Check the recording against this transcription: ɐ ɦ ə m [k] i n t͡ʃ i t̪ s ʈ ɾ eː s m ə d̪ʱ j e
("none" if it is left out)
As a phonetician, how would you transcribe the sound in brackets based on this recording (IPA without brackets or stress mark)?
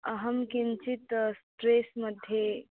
k